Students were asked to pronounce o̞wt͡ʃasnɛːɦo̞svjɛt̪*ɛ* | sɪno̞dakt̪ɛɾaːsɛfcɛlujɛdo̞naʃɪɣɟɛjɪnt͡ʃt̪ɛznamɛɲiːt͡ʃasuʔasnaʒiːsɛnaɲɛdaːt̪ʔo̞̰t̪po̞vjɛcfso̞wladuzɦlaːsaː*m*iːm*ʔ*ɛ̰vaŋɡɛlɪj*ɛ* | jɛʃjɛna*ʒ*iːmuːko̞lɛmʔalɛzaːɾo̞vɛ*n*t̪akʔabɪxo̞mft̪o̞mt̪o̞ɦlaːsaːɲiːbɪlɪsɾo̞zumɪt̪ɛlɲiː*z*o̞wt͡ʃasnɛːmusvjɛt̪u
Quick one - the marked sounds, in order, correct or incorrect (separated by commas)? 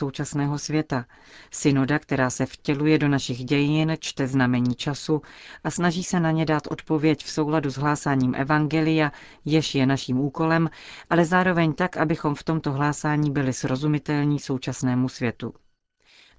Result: incorrect, incorrect, correct, incorrect, incorrect, incorrect, incorrect